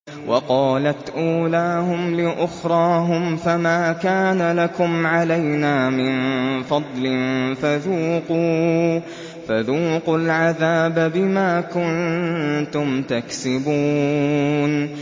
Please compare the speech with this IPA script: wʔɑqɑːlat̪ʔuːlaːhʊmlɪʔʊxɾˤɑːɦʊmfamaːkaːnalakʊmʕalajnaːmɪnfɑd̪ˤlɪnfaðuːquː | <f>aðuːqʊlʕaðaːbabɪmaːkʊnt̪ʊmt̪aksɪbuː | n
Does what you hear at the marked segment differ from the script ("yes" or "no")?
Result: no